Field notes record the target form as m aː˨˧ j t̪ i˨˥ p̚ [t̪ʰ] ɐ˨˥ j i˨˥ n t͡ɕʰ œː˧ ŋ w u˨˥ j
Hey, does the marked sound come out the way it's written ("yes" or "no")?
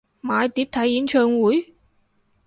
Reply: yes